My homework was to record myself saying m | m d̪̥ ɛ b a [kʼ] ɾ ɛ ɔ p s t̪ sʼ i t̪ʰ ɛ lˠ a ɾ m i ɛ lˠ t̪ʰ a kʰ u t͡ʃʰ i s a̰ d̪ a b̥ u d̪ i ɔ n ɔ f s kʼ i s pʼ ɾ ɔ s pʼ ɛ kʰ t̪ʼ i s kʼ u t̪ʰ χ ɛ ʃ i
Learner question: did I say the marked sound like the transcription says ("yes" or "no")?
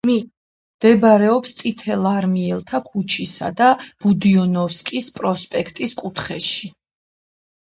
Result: no